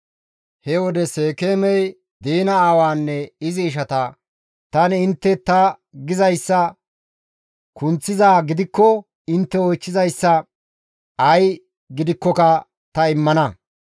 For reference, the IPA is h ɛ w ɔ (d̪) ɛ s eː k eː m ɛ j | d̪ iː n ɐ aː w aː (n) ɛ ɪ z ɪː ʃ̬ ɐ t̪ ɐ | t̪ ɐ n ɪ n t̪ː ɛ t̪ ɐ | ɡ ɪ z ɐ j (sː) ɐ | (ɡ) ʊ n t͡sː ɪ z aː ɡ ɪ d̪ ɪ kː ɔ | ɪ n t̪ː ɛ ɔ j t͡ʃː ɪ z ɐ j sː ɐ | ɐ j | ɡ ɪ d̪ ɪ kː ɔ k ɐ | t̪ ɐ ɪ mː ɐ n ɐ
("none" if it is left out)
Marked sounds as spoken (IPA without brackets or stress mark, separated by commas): d̪, nː, sː, k